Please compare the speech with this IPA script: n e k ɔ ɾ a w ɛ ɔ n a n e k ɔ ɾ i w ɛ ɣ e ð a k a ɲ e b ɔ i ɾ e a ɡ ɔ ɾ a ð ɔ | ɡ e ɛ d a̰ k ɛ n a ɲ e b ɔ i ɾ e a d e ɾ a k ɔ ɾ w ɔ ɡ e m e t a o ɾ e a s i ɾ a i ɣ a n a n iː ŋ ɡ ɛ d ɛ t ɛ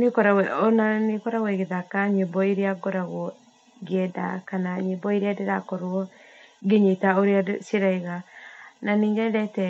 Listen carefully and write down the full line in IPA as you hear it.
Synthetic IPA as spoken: n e k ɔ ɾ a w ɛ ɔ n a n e k ɔ ɾ a w ɛ ɣ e ð a k a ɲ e b ɔ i ɾ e a ɡ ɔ ɾ a ɣ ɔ | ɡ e ɛ d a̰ k a n a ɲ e b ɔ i ɾ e a d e ɾ a k ɔ ɾ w ɔ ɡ e ɲ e t a o ɾ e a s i ɾ a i ɣ a n a n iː ŋ ɡ ɛ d ɛ t ɛ